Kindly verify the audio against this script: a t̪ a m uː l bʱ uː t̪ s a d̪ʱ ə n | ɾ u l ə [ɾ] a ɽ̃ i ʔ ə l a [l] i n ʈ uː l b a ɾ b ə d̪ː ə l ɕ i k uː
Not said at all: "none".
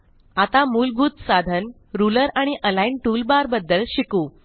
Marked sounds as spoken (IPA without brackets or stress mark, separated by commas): ɾ, none